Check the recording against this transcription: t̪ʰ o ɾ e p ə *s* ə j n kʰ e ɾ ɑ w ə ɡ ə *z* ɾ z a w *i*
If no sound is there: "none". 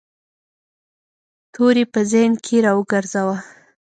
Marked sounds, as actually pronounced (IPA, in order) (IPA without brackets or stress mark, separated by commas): z, none, a